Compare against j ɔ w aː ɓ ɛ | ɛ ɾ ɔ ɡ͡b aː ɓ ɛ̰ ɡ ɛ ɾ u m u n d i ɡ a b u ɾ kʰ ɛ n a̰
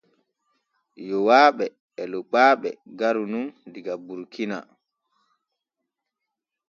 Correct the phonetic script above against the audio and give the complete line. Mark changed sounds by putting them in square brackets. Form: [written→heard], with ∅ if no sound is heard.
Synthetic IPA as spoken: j ɔ w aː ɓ ɛ | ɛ [ɾ→l] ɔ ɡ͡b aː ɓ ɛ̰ ɡ [ɛ→a] ɾ u [m→n] u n d i ɡ a b u ɾ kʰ [ɛ→i] n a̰